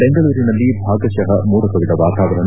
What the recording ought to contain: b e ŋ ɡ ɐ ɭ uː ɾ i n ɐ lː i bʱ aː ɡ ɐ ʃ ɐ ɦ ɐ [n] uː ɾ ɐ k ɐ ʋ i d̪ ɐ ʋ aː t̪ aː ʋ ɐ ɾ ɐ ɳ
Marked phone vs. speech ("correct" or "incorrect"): incorrect